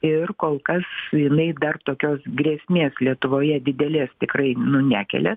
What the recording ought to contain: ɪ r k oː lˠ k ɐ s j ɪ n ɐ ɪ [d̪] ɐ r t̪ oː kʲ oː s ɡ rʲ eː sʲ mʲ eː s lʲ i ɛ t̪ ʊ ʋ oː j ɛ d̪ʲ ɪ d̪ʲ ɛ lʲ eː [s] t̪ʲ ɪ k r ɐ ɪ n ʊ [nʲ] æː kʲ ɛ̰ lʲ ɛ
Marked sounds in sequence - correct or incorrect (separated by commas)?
correct, correct, correct